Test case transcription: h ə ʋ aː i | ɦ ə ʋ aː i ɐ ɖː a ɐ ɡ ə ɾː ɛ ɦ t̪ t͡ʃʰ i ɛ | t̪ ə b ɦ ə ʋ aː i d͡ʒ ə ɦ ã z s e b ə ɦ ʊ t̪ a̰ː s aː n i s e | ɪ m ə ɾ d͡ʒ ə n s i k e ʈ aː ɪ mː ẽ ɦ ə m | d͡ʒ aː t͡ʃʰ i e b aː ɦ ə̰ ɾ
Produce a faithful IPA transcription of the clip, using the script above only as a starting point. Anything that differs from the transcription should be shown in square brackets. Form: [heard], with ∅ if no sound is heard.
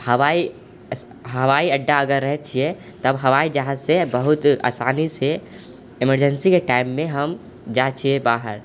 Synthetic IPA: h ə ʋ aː i | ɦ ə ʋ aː i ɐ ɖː a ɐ ɡ ə ɾː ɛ ɦ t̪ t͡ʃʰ i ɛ | t̪ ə b ɦ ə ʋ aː i d͡ʒ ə ɦ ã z s e b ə ɦ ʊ t̪ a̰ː s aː n i s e | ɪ m ə ɾ d͡ʒ ə n s i k e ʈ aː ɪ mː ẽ ɦ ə m | d͡ʒ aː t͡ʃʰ i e b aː ɦ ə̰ ɾ